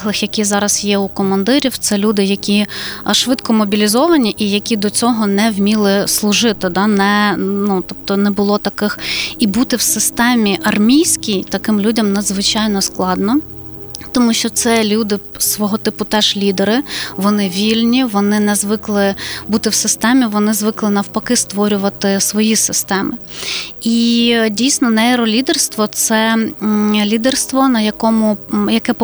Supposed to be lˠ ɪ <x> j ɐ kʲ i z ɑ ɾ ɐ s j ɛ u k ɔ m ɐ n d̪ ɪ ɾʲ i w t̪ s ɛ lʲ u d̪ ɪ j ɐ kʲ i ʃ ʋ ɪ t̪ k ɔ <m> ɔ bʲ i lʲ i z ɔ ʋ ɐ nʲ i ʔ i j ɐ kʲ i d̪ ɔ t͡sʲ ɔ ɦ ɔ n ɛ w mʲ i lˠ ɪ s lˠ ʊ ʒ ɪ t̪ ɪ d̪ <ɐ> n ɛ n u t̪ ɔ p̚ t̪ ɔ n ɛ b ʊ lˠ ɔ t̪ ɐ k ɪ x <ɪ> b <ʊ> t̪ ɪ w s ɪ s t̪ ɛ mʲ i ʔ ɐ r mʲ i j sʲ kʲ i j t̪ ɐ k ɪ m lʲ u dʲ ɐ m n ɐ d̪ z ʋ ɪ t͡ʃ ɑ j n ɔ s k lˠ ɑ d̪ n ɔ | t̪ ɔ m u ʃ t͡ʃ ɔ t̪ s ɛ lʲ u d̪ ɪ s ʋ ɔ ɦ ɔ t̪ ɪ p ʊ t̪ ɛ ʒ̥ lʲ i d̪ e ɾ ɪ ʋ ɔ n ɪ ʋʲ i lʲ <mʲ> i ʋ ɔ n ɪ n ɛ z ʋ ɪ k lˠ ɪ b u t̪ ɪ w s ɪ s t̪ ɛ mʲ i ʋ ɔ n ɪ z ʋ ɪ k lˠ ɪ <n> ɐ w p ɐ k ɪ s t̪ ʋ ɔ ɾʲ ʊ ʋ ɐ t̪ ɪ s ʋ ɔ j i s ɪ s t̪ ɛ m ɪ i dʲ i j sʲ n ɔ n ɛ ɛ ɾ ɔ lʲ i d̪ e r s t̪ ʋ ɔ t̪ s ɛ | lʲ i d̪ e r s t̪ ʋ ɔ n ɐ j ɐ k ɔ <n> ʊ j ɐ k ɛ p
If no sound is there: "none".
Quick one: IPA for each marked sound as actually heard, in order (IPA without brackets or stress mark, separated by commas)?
x, m, ɑ, i, u, nʲ, n, m